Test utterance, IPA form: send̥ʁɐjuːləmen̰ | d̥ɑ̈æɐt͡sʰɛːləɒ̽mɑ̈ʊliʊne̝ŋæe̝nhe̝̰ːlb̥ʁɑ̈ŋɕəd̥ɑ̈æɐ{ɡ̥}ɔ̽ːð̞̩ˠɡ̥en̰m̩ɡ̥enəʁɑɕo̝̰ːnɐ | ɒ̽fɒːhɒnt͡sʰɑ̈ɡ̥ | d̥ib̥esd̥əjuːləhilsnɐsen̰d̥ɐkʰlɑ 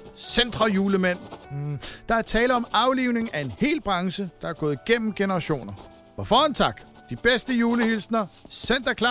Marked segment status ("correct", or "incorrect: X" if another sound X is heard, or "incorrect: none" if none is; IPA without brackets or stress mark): correct